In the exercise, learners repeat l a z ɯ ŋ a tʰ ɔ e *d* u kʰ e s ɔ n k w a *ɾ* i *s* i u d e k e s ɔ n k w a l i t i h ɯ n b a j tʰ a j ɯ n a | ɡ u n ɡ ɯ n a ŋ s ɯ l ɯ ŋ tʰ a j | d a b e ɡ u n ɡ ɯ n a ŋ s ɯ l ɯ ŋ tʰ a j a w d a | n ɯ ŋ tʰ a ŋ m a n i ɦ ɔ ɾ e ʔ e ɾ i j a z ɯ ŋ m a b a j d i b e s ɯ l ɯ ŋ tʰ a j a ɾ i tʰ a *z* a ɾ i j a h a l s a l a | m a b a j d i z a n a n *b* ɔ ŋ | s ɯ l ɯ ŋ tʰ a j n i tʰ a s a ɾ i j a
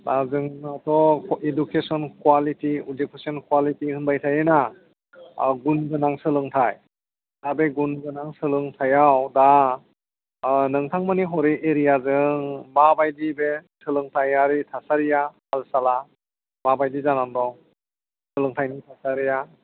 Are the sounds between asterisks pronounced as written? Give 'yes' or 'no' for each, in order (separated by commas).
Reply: yes, no, no, no, no